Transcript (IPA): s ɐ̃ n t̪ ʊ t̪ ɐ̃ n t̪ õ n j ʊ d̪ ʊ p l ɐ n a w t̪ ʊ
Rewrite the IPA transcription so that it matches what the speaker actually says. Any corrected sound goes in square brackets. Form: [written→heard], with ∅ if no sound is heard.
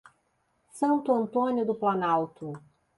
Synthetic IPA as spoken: s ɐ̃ n t̪ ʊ [t̪→∅] ɐ̃ n t̪ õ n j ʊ d̪ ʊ p l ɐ n a w t̪ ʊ